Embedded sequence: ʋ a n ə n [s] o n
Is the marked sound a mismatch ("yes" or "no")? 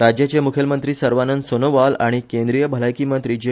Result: no